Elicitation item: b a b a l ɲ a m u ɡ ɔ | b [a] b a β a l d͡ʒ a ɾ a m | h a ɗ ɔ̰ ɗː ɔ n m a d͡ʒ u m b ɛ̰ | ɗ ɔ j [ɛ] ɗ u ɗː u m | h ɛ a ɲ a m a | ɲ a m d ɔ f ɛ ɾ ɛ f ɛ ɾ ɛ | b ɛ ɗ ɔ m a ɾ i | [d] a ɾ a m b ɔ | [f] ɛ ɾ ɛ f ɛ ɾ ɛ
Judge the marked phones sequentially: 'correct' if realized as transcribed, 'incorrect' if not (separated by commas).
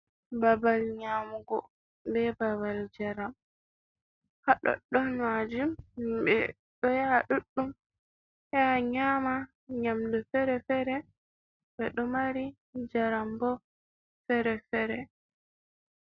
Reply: incorrect, incorrect, incorrect, correct